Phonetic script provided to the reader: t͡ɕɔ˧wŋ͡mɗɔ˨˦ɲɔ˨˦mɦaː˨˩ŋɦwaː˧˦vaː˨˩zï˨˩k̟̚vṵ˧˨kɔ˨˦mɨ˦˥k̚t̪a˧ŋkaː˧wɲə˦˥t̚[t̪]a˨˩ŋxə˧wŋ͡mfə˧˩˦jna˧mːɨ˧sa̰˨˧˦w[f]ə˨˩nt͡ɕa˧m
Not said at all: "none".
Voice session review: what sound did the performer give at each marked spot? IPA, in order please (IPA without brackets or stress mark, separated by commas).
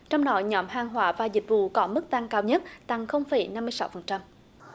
t̪, f